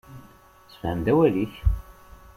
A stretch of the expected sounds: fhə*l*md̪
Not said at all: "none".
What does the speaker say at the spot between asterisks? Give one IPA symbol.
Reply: none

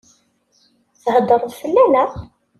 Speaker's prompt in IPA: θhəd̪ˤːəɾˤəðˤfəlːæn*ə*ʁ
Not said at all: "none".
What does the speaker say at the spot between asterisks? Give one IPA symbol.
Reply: ə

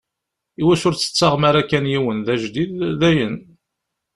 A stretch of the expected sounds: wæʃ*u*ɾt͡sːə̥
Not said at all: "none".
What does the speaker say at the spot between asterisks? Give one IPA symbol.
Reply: ʊ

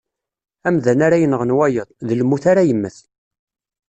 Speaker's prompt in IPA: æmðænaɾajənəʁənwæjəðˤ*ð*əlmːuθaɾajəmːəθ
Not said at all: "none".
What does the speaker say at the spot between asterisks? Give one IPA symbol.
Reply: ð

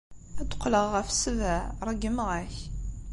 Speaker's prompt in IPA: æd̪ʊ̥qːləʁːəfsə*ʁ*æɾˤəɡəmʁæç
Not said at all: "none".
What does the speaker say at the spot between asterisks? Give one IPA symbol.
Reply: v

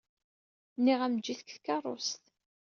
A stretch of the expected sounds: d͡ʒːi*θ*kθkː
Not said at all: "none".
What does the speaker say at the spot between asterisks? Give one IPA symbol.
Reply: θ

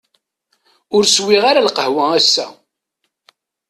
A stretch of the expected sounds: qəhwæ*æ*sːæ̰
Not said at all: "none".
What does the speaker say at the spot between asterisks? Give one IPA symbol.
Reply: æ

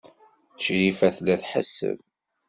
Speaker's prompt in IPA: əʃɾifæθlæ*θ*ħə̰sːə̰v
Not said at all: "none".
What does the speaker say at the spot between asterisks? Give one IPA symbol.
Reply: θ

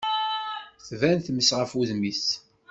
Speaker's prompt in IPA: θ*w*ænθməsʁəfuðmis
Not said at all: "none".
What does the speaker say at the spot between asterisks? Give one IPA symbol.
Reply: v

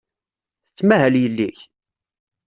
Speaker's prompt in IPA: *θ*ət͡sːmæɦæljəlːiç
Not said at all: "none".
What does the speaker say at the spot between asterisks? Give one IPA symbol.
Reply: θ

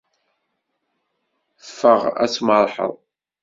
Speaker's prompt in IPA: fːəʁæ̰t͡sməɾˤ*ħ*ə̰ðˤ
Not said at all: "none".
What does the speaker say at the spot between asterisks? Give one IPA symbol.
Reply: ħ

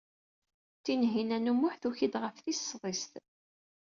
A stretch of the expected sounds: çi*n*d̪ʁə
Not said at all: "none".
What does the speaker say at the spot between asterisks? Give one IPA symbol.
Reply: none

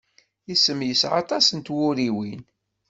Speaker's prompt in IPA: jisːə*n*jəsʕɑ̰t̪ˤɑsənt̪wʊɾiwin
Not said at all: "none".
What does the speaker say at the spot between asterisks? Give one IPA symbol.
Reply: m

